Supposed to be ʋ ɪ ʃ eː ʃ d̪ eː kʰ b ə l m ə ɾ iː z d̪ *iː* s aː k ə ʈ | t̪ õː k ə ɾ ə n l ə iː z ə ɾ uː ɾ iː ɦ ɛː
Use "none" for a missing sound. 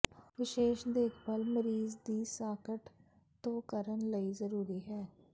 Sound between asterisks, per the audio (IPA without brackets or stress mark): iː